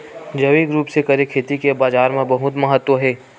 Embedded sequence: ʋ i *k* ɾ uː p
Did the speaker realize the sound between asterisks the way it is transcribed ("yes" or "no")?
no